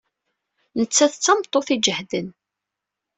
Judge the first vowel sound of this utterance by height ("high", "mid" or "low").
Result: mid